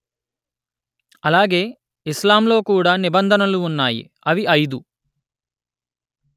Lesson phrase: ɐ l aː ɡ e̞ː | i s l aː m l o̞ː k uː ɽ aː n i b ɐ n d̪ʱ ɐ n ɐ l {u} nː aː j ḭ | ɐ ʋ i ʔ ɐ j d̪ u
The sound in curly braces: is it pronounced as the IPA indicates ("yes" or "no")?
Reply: no